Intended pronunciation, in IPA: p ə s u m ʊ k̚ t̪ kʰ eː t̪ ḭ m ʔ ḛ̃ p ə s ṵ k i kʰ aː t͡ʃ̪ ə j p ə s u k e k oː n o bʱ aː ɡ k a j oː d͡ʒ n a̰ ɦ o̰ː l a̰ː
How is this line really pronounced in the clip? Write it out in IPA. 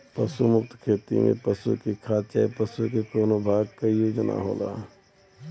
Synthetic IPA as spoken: p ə s u m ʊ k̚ t̪ kʰ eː t̪ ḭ m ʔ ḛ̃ p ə s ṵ k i kʰ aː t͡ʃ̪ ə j p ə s u k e k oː n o bʱ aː ɡ k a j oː d͡ʒ n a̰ ɦ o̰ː l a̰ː